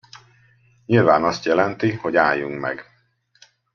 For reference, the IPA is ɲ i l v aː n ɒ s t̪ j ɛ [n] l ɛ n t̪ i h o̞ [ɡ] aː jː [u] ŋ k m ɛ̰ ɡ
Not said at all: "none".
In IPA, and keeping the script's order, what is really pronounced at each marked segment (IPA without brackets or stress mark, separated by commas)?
none, ɟ, u